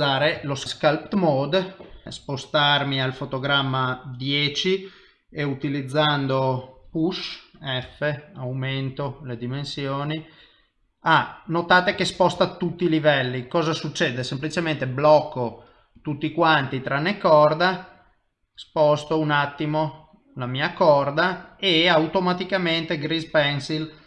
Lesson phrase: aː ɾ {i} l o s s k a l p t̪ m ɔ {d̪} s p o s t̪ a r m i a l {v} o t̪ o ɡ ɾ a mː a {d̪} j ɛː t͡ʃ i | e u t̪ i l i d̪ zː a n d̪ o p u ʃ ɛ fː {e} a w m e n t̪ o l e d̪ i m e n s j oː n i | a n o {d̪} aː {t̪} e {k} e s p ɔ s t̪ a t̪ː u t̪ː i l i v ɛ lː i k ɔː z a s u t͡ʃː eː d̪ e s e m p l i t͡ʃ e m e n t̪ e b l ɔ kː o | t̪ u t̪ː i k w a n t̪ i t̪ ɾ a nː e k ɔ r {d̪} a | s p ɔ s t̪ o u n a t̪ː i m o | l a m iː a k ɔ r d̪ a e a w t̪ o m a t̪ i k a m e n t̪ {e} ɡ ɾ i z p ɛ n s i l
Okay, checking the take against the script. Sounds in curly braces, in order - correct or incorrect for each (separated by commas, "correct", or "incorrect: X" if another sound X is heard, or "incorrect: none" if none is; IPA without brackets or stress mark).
incorrect: e, correct, incorrect: f, correct, correct, incorrect: t̪, correct, correct, correct, correct